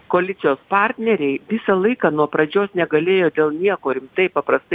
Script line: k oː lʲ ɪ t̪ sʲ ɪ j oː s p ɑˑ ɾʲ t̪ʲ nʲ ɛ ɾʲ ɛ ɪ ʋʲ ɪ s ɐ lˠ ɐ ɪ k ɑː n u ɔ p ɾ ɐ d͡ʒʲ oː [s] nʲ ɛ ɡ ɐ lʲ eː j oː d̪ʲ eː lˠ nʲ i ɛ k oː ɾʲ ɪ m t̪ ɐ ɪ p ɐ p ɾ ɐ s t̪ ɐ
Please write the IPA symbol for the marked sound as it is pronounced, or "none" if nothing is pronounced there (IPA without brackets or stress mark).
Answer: s